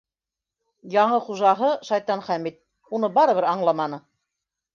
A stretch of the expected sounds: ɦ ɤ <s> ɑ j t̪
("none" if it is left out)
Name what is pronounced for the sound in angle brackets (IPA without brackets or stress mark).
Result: ʃ